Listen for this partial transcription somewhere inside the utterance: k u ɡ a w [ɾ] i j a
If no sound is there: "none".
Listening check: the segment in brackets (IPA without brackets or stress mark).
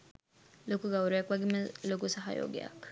ɾ